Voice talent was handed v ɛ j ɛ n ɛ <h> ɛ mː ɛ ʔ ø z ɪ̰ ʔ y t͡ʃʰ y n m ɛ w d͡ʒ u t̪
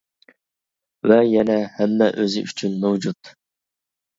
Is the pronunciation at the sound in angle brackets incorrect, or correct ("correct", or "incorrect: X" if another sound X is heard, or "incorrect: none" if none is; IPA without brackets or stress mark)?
correct